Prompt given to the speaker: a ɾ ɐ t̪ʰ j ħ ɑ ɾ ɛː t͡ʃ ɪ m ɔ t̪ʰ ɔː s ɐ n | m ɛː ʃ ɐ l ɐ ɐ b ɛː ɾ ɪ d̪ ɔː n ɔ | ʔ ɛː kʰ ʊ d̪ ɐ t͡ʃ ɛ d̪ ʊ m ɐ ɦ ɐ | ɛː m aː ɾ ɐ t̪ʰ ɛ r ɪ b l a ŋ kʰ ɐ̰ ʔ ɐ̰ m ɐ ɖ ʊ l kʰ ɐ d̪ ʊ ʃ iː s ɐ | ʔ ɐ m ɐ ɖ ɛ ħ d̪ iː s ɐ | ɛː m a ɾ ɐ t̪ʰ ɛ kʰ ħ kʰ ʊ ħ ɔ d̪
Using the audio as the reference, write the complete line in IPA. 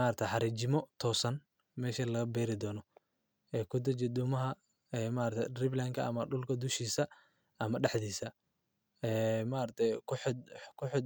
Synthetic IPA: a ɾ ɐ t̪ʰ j ħ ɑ ɾ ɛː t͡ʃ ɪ m ɔ t̪ʰ ɔː s ɐ n | m ɛː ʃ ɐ l ɐ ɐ b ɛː ɾ ɪ d̪ ɔː n ɔ | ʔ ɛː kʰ ʊ d̪ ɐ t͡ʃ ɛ d̪ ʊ m ɐ ɦ ɐ | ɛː m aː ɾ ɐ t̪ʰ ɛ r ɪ b l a ŋ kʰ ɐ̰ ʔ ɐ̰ m ɐ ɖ ʊ l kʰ ɐ d̪ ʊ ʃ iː s ɐ | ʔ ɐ m ɐ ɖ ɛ ħ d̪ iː s ɐ | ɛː m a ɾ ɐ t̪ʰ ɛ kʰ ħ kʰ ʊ ħ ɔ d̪

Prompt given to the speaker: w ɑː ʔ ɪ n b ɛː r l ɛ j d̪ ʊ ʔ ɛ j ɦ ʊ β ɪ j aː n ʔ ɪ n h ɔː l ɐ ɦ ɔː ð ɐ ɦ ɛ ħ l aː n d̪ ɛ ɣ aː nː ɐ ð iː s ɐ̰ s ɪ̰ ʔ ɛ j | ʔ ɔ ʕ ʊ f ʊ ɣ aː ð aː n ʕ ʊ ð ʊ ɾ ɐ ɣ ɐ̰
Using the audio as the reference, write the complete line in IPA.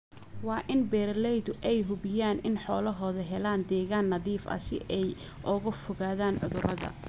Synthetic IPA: w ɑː ʔ ɪ n b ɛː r l ɛ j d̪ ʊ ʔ ɛ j ɦ ʊ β ɪ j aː n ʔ ɪ n ħ ɔː l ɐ ɦ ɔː ð ɐ ɦ ɛ l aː n d̪ ɛː ɣ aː nː ɐ ð iː f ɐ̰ s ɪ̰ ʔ ɛ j | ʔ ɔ ɣ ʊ f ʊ ɣ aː ð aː n ʕ ʊ ð ʊ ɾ ɐ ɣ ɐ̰

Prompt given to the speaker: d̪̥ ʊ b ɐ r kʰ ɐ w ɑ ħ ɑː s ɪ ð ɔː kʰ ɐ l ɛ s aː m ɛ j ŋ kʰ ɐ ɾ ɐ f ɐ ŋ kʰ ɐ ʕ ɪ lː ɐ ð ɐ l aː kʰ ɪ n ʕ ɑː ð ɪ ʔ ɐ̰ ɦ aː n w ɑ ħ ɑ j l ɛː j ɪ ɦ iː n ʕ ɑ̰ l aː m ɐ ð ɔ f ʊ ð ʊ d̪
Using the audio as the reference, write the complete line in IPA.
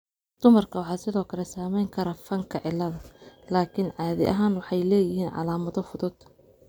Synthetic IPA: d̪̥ ʊ m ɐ r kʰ ɐ w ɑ ħ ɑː s ɪ ð ɔː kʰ ɐ l ɛ s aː m ɛ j ŋ kʰ ɐ ɾ ɐ f ɐ ŋ kʰ ɐ ʕ ɪ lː ɐ ð ɐ l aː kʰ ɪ n ʕ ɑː ð ɪ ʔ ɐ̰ ɦ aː n w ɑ ħ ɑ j l ɛː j ɪ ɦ iː n ʕ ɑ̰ l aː m ɐ ð ɔ f ʊ ð ʊ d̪

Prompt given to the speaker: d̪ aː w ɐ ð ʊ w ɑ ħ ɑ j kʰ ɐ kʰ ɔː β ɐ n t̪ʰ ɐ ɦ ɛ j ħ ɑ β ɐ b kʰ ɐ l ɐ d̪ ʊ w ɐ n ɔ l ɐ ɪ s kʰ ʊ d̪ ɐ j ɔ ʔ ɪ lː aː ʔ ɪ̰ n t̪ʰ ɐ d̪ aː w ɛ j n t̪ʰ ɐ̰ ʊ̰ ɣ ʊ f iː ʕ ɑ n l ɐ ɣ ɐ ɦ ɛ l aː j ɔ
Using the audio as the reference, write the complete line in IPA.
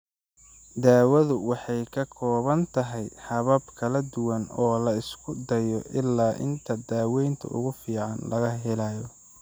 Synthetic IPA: d̪ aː w ɐ ð ʊ w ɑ ħ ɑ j kʰ ɐ kʰ ɔː β ɐ n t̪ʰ ɐ ɦ ɛ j ħ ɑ β ɐ b kʰ ɐ l ɐ d̪ ʊ w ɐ n ɔː l ɐ ɪ s kʰ ʊ d̪ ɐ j ɔ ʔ ɪ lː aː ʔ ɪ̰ n t̪ʰ ɐ d̪ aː w ɛ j n t̪ʰ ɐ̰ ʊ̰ ɣ ʊ f iː ʕ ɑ n l ɐ ɣ ɐ ɦ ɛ l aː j ɔ

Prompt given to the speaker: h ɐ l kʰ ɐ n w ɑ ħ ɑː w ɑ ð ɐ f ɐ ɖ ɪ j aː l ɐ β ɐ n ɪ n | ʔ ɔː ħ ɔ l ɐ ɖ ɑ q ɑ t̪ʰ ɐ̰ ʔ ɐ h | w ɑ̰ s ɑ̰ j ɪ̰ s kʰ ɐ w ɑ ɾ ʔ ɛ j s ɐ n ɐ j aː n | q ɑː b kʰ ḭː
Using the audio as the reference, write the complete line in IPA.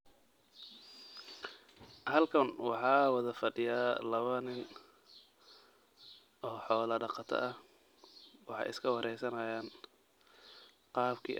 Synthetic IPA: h ɐ l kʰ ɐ n w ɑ ħ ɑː w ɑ ð ɐ f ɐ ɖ ɪ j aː l ɐ β ɐ n ɪ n | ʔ ɔː ħ ɔː l ɐ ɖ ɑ q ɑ t̪ʰ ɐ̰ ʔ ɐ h | w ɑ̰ ħ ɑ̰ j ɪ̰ s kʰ ɐ w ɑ ɾ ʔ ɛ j s ɐ n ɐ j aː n | q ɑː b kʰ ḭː

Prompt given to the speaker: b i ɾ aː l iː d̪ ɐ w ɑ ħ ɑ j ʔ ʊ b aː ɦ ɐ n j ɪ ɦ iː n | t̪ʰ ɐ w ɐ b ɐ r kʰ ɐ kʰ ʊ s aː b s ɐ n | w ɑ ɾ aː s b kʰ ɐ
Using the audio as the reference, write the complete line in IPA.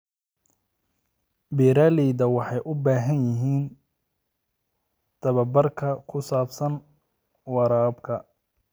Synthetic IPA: b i ɾ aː l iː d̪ ɐ w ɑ ħ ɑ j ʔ ʊ b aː ɦ ɐ n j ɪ ɦ iː n | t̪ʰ ɐ β ɐ b ɐ r kʰ ɐ kʰ ʊ s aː b s ɐ n | w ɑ ɾ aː b kʰ ɐ

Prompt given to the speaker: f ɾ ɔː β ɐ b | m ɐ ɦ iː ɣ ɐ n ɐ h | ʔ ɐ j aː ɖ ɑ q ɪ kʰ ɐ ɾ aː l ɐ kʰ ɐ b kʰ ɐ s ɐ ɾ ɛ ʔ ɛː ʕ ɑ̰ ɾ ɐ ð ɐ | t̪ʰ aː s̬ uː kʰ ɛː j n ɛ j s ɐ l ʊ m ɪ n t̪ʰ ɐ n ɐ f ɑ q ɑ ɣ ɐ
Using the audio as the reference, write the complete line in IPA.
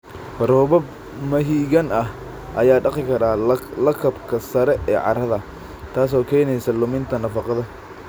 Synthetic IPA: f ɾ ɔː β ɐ b | m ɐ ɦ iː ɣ ɐ n ɐ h | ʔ ɐ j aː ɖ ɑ q ɪ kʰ ɐ ɾ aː l ɐ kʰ ɐ b kʰ ɐ s ɐ ɾ ɛ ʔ ɛː ʕ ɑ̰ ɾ ɐ ð ɐ | t̪ʰ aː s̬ ɔː kʰ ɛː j n ɛ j s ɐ l ʊ m ɪ n t̪ʰ ɐ n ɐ f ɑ q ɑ ð ɐ

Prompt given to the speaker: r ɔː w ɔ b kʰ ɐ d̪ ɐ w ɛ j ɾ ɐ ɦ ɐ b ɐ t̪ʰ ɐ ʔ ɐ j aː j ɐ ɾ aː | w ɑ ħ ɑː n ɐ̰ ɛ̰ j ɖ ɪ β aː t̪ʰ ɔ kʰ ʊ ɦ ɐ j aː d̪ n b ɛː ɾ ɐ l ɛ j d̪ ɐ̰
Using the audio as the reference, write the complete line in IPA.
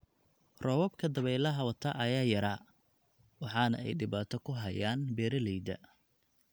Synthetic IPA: r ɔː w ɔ b kʰ ɐ d̪ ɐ β ɛ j l ɐ ɦ ɐ w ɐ t̪ʰ ɐ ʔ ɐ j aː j ɐ ɾ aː | w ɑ ħ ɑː n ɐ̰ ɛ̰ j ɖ ɪ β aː t̪ʰ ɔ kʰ ʊ ɦ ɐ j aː n b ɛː ɾ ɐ l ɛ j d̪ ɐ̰

